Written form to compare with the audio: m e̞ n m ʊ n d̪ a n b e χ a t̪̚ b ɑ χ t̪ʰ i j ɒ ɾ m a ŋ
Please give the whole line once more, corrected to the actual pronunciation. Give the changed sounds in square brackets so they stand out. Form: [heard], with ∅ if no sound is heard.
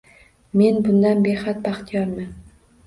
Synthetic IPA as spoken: m e̞ n [b] ʊ n d̪ a n b e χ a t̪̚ b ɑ χ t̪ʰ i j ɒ ɾ m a [n]

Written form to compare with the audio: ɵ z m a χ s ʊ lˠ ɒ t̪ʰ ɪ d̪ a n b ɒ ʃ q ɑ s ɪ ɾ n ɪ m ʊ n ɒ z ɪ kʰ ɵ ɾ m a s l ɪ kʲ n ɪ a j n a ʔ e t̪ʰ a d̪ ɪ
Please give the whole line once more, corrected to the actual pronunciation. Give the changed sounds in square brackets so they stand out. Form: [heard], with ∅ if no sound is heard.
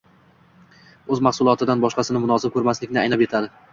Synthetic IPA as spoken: ɵ z m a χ s ʊ lˠ ɒ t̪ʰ ɪ d̪ a n b ɒ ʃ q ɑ s ɪ [∅] n ɪ m ʊ n ɒ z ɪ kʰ ɵ ɾ m a s l ɪ kʲ n ɪ a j n a [p] e t̪ʰ a d̪ ɪ

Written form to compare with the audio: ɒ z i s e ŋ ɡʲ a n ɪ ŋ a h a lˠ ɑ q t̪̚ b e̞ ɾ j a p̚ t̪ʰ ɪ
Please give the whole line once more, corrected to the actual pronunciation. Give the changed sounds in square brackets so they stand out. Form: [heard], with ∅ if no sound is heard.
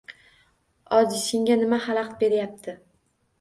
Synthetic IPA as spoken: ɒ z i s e ŋ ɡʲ a n ɪ [m] a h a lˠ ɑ q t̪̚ b e̞ ɾ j a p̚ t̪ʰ ɪ

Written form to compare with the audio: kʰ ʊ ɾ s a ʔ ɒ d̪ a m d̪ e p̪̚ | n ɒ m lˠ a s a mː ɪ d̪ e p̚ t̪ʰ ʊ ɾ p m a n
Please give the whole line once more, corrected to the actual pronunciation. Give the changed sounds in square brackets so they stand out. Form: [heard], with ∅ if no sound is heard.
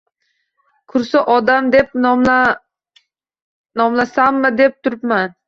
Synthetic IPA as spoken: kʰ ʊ ɾ s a ʔ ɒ d̪ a m d̪ e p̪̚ | n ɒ m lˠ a s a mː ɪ d̪ e p̚ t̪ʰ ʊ ɾ p m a n

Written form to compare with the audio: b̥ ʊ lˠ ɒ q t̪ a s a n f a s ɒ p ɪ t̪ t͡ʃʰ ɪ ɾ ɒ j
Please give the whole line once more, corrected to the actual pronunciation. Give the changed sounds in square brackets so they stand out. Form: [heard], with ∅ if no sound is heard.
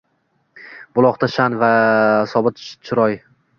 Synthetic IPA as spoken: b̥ ʊ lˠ ɒ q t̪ a [ʃ] a n [v] a s ɒ [b] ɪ t̪ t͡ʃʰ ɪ ɾ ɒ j

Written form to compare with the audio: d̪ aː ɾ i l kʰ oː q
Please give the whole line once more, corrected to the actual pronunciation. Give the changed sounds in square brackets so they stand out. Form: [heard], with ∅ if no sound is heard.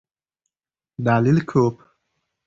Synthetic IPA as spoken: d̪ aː [l] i l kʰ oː [p]

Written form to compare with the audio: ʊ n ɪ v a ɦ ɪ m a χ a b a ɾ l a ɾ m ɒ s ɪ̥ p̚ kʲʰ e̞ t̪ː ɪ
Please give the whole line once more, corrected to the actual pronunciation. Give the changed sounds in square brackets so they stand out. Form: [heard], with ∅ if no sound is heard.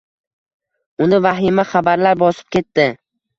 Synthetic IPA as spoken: ʊ n ɪ v a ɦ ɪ m a χ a b a ɾ l a ɾ [b] ɒ s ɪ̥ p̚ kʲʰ e̞ t̪ː ɪ

